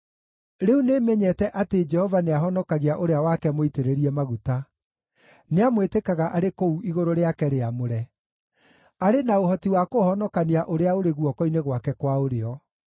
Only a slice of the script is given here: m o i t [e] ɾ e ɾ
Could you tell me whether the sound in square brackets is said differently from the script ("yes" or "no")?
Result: no